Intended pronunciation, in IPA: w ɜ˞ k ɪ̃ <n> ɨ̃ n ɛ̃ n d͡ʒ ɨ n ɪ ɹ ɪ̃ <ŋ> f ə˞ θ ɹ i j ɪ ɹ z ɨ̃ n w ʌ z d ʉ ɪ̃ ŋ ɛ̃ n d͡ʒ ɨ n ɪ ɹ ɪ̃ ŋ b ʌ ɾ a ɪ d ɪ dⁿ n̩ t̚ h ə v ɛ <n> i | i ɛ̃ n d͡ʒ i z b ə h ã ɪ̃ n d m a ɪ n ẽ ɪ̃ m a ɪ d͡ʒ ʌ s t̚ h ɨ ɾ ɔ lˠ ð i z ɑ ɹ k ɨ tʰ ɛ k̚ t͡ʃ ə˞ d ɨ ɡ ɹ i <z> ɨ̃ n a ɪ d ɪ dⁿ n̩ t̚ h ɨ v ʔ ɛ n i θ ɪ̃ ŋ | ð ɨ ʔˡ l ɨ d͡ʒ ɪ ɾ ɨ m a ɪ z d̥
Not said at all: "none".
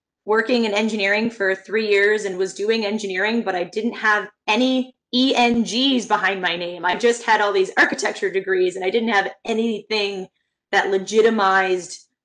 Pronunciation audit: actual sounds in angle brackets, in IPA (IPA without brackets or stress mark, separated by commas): ŋ, ŋ, n, z